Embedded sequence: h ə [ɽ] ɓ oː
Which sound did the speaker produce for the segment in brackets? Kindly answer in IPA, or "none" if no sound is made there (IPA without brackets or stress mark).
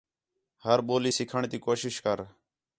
ɾ